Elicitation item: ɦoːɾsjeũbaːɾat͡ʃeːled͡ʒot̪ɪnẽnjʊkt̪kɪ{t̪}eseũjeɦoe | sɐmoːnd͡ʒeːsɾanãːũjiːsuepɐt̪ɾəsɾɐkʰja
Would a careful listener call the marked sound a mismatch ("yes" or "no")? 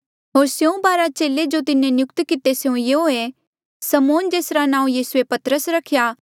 no